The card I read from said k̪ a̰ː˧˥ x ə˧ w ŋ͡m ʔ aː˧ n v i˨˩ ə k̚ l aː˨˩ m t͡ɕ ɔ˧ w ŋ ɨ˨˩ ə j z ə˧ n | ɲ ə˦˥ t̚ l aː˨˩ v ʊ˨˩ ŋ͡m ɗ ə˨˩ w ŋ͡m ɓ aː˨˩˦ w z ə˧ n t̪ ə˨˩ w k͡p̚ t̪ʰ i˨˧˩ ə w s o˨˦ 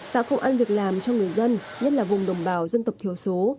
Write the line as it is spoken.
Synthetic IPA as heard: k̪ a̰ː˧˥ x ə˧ w ŋ͡m ʔ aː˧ n v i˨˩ ə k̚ l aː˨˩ m t͡ɕ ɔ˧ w ŋ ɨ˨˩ ə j z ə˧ n | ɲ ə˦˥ t̚ l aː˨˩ v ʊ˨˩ ŋ͡m ɗ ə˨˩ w ŋ͡m ɓ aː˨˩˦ w z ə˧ n t̪ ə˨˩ w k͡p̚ t̪ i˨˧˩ ə w s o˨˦